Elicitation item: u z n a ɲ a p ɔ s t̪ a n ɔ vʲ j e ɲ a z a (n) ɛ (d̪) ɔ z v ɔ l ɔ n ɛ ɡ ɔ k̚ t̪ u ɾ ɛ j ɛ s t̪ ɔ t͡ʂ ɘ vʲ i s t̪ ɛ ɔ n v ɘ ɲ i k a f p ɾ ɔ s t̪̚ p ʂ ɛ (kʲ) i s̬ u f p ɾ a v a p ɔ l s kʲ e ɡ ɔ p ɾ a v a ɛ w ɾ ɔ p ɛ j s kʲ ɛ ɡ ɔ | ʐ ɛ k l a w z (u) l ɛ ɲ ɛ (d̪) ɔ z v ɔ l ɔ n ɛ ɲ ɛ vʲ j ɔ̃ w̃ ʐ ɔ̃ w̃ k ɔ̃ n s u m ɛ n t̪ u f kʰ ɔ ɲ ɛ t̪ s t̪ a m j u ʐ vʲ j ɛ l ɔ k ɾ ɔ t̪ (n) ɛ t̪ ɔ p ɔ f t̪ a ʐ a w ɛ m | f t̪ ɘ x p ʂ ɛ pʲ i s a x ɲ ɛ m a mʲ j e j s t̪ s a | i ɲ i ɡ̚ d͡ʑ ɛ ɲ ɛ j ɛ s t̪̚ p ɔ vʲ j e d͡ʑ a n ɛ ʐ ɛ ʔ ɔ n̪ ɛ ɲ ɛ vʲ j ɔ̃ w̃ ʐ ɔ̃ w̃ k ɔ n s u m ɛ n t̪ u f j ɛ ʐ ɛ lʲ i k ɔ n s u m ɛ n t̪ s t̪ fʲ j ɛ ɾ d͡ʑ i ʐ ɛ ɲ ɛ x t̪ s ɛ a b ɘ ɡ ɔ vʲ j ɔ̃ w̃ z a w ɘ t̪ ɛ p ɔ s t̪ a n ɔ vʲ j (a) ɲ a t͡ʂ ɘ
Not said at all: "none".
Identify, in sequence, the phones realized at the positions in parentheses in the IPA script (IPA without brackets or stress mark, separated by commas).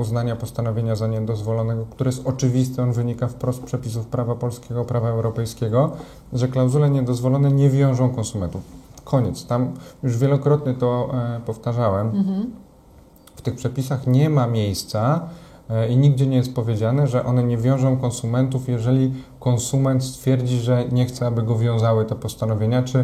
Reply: ɲ, d̪, pʲ, u, d̪, ɲ, e